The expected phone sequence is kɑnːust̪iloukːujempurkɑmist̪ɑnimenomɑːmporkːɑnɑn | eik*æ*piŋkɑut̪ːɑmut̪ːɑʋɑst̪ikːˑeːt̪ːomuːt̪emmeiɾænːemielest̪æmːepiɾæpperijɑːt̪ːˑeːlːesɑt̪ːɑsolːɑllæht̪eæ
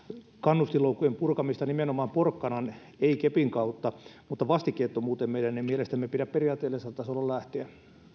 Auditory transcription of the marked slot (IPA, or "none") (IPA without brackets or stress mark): e